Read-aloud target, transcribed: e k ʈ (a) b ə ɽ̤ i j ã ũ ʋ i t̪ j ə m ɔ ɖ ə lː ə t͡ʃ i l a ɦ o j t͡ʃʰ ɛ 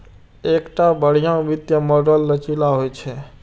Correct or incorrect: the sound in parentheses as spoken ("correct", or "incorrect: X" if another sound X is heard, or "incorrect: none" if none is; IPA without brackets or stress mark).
correct